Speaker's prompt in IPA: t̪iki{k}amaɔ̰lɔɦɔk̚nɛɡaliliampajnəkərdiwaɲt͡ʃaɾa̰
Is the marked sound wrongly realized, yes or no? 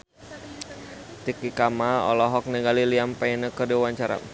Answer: no